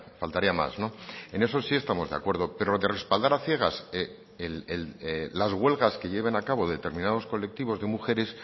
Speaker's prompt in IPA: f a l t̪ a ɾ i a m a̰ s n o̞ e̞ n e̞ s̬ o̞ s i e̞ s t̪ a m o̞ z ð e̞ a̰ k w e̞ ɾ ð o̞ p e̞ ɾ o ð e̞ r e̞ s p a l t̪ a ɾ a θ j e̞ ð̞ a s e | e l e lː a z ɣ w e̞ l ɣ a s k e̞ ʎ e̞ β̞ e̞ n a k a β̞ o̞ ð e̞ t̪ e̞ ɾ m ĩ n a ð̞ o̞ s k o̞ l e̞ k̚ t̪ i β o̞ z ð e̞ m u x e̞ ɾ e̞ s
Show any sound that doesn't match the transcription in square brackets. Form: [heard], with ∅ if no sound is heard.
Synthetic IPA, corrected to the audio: f a l t̪ a ɾ i a m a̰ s n o̞ e̞ n e̞ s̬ o̞ s i e̞ s t̪ a m o̞ z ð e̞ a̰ k w e̞ ɾ ð o̞ p e̞ ɾ o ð e̞ r e̞ s p a l [d̪] a ɾ a θ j e̞ [ɣ̞] a s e | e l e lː a z ɣ w e̞ l ɣ a s k e̞ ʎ e̞ β̞ e̞ n a k a β̞ o̞ ð e̞ t̪ e̞ ɾ m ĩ n a ð̞ o̞ s k o̞ l e̞ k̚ t̪ i β o̞ z ð e̞ m u x e̞ ɾ e̞ s

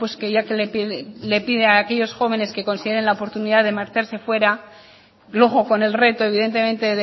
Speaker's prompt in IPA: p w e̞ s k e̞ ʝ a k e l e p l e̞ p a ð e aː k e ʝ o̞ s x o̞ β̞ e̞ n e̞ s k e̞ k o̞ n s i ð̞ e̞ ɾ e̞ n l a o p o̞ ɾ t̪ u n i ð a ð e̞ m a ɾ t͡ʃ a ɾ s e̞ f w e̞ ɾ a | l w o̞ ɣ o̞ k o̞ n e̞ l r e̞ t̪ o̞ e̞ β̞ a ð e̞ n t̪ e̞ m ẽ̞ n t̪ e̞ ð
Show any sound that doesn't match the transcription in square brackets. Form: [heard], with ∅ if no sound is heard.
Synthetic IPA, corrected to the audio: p w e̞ s k e̞ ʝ a k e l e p l e̞ p [i] ð e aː k e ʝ o̞ s x o̞ β̞ e̞ n e̞ s k e̞ k o̞ n s i ð̞ e̞ ɾ e̞ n l a o p o̞ ɾ t̪ u n i ð a ð e̞ m a ɾ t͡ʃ a ɾ s e̞ f w e̞ ɾ a | l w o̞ ɣ o̞ k o̞ n e̞ l r e̞ t̪ o̞ e̞ β̞ [i] ð e̞ n t̪ e̞ m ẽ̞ n t̪ e̞ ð

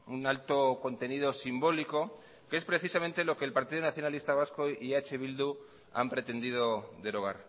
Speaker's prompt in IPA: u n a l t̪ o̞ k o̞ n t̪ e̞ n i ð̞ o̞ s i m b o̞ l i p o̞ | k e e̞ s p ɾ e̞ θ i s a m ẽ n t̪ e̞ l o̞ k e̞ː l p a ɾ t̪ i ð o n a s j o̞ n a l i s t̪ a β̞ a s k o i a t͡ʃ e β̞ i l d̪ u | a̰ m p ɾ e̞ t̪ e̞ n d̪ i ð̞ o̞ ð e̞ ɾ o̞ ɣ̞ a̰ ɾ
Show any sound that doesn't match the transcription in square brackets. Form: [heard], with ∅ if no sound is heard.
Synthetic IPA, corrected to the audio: u n a l t̪ o̞ k o̞ n t̪ e̞ n i ð̞ o̞ s i m b o̞ l i [k] o̞ | k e e̞ s p ɾ e̞ θ i s a m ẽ n t̪ e̞ l o̞ k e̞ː l p a ɾ t̪ i ð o n a [θ] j o̞ n a l i s t̪ a β̞ a s k o i a t͡ʃ e β̞ i l d̪ u | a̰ m p ɾ e̞ t̪ e̞ n d̪ i ð̞ o̞ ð e̞ ɾ o̞ ɣ̞ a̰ ɾ

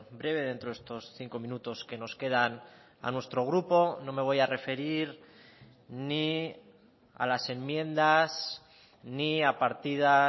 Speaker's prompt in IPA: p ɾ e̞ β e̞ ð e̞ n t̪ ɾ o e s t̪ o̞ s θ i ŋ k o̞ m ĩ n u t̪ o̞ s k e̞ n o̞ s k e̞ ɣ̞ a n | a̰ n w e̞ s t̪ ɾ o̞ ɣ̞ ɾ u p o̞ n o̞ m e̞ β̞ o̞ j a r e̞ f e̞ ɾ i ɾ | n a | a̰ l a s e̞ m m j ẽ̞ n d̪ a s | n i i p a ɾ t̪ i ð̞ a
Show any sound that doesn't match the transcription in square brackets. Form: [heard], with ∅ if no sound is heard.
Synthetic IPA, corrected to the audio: [b] ɾ e̞ β e̞ ð e̞ n t̪ ɾ o e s t̪ o̞ s θ i ŋ k o̞ m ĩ n u t̪ o̞ s k e̞ n o̞ s k e̞ [ð̞] a n | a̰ n w e̞ s t̪ ɾ o̞ ɣ̞ ɾ u p o̞ n o̞ m e̞ β̞ o̞ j a r e̞ f e̞ ɾ i ɾ | n [i] | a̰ l a s e̞ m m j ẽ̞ n d̪ a s | n i [a] p a ɾ t̪ i ð̞ a

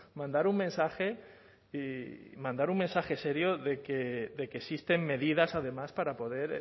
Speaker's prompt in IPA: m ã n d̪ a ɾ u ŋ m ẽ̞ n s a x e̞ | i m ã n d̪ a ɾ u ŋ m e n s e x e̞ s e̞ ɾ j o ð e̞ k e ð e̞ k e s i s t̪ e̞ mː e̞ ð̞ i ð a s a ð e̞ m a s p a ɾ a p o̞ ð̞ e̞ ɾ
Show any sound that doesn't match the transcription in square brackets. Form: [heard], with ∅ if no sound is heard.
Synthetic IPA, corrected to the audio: m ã n d̪ a ɾ u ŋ m ẽ̞ n s a x e̞ | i m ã n d̪ a ɾ u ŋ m e n s [a] x e̞ s e̞ ɾ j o ð e̞ k e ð e̞ k e s i s t̪ e̞ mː e̞ ð̞ i ð a s a ð e̞ m a s p a ɾ a p o̞ ð̞ e̞ ɾ

